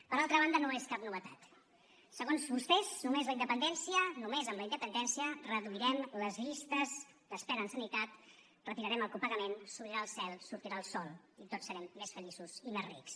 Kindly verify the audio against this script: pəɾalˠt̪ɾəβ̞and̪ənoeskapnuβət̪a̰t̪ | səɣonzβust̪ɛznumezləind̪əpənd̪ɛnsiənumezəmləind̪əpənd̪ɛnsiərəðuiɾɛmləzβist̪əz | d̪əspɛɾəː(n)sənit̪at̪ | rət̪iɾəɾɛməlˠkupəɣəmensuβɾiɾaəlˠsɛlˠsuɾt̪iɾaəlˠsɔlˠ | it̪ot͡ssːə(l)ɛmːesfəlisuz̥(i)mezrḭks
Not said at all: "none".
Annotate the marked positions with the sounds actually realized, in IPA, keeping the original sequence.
n, ɾ, i

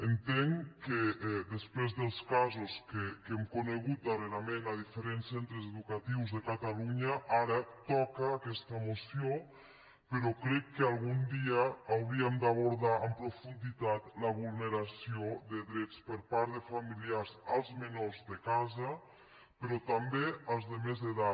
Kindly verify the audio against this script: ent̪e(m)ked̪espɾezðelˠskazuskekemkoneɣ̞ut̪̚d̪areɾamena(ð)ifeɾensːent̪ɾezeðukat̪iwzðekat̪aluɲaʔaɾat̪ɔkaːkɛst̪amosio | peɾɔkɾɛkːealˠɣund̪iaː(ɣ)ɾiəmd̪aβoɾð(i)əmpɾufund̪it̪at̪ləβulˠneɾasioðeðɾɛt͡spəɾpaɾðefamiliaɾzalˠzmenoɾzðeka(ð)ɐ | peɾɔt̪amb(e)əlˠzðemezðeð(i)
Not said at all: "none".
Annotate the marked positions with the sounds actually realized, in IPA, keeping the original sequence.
ŋ, ð, w, a, z, e, a

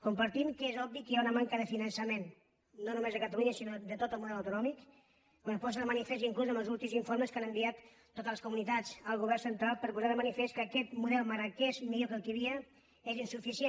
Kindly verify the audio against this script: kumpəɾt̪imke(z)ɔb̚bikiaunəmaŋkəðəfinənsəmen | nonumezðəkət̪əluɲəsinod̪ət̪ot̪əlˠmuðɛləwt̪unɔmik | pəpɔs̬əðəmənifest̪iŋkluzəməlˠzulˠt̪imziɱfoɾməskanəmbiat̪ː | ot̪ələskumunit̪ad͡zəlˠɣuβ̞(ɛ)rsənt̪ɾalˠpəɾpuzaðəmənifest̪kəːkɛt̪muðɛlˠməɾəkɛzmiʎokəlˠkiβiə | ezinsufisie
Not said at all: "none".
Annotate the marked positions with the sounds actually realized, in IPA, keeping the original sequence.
z, ɛ

